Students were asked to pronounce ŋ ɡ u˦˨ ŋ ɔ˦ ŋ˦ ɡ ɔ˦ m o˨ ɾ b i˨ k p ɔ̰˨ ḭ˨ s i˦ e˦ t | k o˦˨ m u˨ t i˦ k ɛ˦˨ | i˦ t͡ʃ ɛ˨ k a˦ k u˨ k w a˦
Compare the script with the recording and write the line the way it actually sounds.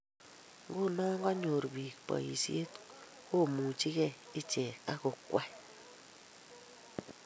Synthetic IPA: ŋ ɡ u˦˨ n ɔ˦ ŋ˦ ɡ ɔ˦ ɲ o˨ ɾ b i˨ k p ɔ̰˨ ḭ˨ s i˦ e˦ t | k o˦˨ m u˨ t͡ʃ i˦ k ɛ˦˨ | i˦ t͡ʃ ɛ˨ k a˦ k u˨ k w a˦

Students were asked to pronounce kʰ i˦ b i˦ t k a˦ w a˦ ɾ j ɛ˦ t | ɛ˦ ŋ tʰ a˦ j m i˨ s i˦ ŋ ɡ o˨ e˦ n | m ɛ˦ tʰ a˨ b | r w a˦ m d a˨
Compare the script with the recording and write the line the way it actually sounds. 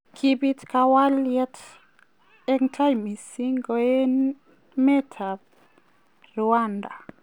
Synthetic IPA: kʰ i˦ b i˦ t k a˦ w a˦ l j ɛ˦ t | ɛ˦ ŋ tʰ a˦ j m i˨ s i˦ ŋ ɡ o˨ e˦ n | m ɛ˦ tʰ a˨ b | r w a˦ n d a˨

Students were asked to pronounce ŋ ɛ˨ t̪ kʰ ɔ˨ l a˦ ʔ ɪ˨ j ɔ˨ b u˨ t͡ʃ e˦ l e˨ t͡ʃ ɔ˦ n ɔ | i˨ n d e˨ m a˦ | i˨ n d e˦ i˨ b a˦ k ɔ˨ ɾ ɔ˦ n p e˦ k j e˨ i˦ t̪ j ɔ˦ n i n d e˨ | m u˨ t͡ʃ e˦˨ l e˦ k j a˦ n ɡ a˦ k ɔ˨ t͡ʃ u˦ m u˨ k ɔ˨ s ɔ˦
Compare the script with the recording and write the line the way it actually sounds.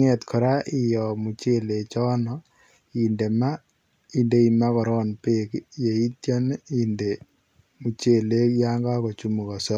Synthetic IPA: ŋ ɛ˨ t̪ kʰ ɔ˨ ɾ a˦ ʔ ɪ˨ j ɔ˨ m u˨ t͡ʃ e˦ l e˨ t͡ʃ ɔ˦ n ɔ | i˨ n d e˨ m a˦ | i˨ n d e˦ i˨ m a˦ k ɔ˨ ɾ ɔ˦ n p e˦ k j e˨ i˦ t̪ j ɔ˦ n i n d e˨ | m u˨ t͡ʃ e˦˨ l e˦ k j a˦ ŋ ɡ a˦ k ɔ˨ t͡ʃ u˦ m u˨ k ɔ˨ s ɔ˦

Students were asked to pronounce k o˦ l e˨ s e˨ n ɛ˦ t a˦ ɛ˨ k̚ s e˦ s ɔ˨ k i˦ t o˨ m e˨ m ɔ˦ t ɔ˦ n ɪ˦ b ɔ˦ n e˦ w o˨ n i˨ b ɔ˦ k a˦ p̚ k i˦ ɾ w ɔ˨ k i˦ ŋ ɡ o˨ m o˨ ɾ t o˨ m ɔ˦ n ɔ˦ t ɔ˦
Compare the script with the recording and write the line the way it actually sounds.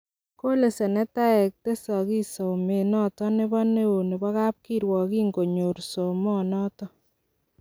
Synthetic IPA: k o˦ l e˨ s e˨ n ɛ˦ t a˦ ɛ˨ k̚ t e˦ s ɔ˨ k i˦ s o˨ m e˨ n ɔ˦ t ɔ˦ n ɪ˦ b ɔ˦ n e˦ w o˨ n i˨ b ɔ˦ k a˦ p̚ k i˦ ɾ w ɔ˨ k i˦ ŋ ɡ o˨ ɲ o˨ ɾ s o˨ m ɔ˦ n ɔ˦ t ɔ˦

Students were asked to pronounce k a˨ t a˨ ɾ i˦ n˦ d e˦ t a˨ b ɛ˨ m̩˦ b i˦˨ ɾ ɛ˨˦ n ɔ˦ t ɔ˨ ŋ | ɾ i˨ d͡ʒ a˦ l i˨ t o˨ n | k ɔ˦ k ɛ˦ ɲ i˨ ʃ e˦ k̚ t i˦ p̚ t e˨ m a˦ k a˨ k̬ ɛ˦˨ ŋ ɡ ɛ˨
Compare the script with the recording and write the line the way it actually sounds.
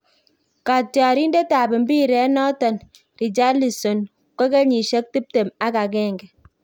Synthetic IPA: k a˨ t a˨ ɾ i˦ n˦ d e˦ t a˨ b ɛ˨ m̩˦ b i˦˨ ɾ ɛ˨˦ n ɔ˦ t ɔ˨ n | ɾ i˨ d͡ʒ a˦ l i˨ s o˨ n | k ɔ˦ k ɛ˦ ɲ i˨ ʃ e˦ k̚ t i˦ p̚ t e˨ m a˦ k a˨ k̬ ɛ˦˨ ŋ ɡ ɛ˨

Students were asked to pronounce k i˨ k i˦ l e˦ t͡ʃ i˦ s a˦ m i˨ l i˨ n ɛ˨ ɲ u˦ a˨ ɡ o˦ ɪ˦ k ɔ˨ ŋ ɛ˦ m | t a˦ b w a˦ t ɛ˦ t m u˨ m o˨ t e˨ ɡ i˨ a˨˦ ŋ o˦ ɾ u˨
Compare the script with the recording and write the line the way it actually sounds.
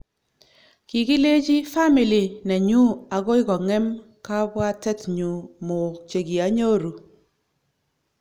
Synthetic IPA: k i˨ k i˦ l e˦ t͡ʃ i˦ f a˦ m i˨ l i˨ n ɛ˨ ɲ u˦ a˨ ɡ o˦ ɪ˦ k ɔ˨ ŋ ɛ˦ m | k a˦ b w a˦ t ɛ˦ t ɲ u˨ m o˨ t͡ʃ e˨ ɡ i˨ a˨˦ ɲ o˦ ɾ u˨

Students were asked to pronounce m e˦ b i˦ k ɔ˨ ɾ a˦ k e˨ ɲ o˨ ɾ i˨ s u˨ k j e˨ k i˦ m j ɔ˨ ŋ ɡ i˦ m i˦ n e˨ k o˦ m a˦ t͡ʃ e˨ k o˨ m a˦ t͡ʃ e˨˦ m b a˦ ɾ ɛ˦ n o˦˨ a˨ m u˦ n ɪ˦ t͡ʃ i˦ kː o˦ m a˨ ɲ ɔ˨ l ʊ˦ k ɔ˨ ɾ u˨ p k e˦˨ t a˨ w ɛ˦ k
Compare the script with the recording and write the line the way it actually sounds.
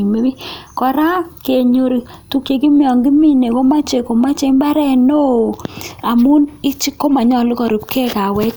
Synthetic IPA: m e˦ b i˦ k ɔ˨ ɾ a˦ k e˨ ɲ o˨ ɾ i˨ t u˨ k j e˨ k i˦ m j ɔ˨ ŋ ɡ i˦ m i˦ n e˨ k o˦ m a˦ t͡ʃ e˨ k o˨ m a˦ t͡ʃ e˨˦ m b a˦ ɾ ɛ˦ n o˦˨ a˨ m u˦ n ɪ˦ t͡ʃ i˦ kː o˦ m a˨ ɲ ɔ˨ l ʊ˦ k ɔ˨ ɾ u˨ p k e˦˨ k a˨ w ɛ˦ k

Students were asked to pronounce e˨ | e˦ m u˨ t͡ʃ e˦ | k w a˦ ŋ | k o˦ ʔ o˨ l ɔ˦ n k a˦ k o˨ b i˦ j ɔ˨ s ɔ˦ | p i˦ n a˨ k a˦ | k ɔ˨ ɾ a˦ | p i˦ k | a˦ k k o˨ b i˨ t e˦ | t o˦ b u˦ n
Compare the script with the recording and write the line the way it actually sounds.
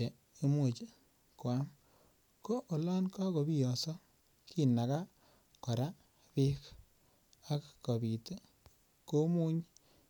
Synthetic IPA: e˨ | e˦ m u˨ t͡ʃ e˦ | k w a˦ m | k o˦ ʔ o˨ l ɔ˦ n k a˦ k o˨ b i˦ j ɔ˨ s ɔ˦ | k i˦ n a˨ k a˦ | k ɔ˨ ɾ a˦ | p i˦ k | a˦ k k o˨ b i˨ t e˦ | k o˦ m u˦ ɲ

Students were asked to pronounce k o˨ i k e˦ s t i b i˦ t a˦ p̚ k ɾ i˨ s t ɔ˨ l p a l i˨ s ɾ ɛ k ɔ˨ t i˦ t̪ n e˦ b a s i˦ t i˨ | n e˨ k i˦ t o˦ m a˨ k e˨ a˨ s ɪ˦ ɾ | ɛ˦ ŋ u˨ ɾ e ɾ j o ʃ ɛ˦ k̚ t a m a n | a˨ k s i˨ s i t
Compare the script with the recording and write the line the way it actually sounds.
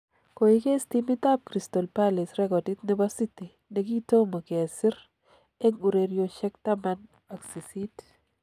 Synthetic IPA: k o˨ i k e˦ s t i m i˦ t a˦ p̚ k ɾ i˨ s t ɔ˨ l p a l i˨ s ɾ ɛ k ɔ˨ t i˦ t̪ n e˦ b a s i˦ t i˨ | n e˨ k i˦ t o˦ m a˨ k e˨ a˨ s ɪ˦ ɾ | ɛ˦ ŋ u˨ ɾ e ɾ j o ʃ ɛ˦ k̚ t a m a n | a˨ k s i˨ s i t

